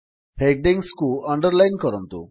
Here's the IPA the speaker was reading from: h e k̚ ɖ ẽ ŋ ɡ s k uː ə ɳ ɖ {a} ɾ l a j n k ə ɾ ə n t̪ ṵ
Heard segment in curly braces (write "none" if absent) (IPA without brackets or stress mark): ə